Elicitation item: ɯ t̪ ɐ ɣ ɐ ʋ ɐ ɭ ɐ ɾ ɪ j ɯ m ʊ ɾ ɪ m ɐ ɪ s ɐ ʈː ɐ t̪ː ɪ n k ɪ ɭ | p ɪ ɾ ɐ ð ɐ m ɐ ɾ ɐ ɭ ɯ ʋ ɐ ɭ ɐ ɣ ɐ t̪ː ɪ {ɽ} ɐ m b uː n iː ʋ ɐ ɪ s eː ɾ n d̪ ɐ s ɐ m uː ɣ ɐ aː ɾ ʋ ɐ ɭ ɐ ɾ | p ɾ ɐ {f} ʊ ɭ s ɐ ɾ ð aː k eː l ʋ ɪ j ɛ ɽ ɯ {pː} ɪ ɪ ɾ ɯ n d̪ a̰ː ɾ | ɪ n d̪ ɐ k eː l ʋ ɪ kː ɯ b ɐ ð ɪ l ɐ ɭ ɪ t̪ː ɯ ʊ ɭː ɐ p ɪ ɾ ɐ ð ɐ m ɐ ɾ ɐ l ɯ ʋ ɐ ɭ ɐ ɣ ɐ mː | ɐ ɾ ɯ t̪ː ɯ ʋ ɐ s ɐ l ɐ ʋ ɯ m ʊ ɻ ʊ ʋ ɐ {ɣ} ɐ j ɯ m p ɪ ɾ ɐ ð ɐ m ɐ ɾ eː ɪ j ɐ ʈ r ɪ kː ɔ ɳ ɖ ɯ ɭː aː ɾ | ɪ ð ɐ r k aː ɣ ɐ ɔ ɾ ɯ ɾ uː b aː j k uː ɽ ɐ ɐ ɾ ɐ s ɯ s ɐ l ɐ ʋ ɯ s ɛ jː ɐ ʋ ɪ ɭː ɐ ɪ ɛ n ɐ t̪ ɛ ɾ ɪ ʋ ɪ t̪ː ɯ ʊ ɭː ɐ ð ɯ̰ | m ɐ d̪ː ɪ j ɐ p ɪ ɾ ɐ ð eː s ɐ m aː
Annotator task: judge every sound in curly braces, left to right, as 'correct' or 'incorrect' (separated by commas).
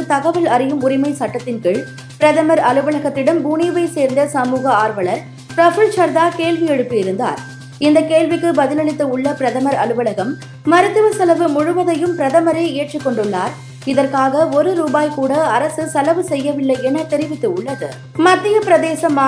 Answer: correct, correct, correct, incorrect